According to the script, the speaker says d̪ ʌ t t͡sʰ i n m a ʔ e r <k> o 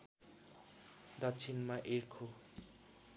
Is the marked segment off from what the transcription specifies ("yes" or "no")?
yes